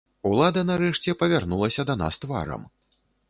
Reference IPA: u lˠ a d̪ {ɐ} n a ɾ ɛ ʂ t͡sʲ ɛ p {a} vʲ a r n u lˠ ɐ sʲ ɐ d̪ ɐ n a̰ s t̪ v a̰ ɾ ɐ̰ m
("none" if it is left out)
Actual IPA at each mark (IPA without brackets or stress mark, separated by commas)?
ɐ, ɐ